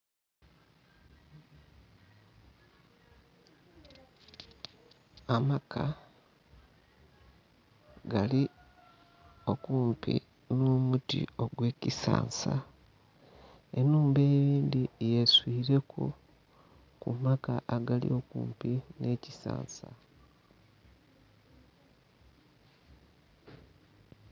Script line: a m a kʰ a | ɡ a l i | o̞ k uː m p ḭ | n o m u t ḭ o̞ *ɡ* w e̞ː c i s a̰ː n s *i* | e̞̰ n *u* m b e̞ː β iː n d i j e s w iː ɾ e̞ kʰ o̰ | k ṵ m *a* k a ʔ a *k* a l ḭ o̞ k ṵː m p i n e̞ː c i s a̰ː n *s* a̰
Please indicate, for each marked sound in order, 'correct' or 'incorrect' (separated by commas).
correct, incorrect, incorrect, correct, incorrect, correct